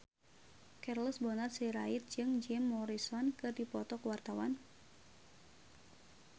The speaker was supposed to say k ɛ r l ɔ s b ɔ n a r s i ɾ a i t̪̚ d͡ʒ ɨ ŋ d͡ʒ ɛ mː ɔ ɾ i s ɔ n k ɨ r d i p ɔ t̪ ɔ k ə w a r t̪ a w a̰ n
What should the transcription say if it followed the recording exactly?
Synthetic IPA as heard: k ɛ r l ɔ s b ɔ n a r s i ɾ a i t̪̚ d͡ʒ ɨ ŋ d͡ʒ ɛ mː ɔ ɾ i s ɔ n k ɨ r d i p ɔ t̪ ɔ k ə w a r t̪ a w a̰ n